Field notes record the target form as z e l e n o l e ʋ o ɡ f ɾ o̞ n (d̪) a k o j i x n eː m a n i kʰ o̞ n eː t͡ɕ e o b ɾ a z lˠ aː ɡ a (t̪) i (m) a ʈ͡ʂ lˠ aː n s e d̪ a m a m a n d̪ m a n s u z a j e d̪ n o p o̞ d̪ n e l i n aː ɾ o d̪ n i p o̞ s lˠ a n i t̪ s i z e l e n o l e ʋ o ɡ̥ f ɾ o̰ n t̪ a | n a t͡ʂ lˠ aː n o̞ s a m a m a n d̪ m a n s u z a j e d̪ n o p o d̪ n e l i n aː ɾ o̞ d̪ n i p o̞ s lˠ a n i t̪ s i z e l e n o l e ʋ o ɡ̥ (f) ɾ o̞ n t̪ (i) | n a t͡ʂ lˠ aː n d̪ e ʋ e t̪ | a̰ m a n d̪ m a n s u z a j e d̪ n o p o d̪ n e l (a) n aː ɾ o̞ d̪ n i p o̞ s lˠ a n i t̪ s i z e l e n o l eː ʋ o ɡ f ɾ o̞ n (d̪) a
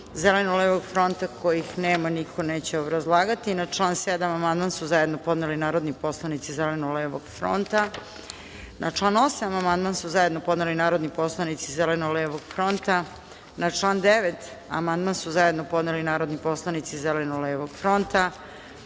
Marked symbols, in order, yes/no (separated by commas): no, yes, no, yes, no, no, no